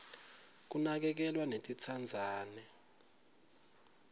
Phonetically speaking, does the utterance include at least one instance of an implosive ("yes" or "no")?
no